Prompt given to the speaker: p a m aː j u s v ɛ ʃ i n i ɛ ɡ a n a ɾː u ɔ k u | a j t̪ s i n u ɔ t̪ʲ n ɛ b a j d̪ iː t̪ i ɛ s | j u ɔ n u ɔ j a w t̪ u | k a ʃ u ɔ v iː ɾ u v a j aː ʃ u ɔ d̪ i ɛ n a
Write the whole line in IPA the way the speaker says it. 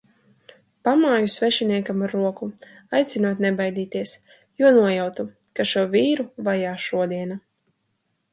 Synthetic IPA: p a m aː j u s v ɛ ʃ i n i ɛ k a m a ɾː u ɔ k u | a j t̪ s i n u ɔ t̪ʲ n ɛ b a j d̪ iː t̪ i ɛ s | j u ɔ n u ɔ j a w t̪ u | k a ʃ u ɔ v iː ɾ u v a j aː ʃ u ɔ d̪ i ɛ n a